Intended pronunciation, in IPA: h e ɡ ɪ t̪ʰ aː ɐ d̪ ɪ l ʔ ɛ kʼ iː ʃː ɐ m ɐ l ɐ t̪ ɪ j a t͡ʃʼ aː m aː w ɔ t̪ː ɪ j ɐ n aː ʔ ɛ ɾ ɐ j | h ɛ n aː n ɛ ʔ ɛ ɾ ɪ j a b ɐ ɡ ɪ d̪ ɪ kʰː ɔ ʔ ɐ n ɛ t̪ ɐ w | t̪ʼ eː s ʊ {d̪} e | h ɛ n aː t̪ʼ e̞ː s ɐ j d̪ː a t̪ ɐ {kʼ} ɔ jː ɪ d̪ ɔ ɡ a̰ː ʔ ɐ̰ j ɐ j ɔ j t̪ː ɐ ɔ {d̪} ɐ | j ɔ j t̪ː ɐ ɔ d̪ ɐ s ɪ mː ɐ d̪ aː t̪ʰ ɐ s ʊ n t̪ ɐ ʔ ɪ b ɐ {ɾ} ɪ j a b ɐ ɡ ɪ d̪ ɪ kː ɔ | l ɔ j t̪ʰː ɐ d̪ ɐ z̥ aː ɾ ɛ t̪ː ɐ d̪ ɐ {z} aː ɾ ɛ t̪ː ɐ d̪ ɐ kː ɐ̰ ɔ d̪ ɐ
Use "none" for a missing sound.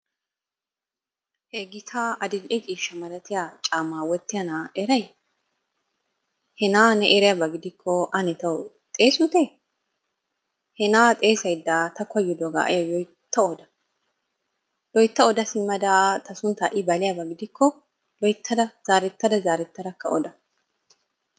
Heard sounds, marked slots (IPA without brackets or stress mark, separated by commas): t̪, k, d̪, l, z